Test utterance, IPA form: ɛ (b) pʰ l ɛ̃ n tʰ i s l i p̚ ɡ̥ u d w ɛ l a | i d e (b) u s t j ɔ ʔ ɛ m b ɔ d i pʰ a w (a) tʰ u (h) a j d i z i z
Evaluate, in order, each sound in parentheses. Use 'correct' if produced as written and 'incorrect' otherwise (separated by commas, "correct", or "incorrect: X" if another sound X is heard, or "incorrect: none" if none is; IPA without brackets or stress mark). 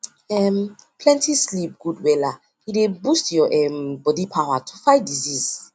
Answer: incorrect: m, correct, correct, incorrect: f